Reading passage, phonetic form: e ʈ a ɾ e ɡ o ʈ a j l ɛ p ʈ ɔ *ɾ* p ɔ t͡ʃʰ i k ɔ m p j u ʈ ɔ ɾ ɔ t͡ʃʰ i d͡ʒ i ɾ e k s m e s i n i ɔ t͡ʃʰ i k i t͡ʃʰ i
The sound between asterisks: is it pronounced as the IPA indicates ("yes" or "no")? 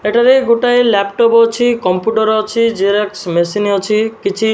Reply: no